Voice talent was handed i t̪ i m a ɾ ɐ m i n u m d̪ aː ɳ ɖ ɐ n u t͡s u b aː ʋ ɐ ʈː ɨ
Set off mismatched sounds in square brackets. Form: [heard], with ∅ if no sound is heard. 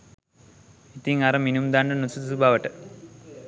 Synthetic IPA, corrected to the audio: i t̪ i [ŋ] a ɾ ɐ m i n u m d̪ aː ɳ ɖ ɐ n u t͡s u b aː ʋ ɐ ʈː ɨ